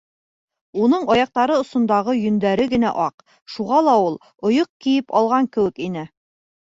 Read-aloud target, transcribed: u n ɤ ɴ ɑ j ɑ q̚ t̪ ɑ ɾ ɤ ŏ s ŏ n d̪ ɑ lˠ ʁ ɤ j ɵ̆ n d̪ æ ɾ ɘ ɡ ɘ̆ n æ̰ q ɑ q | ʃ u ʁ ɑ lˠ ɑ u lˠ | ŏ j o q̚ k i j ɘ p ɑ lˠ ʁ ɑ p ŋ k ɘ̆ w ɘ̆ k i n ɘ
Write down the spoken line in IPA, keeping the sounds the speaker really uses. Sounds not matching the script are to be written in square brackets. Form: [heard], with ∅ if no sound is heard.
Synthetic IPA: u n ɤ ɴ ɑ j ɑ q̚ t̪ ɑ ɾ ɤ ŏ s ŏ n d̪ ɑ [∅] ʁ ɤ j ɵ̆ n d̪ æ ɾ ɘ ɡ ɘ̆ n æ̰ [ʔ] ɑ q | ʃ u ʁ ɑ lˠ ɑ u lˠ | ŏ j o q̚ k i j ɘ p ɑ lˠ ʁ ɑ [∅] ŋ k ɘ̆ w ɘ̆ k i n ɘ